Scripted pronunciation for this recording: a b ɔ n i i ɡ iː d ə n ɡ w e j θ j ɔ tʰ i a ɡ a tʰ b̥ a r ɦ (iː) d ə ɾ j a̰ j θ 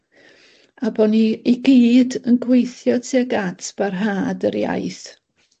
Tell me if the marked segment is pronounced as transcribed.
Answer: no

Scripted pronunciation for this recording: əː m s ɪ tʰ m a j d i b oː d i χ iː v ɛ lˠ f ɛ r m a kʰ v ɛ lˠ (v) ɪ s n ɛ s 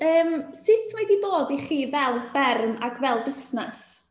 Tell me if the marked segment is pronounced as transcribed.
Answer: no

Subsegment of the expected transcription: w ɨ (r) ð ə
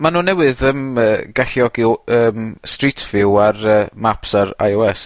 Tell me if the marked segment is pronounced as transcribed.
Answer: no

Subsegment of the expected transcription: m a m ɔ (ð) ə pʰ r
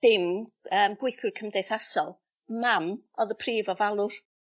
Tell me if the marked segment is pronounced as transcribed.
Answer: yes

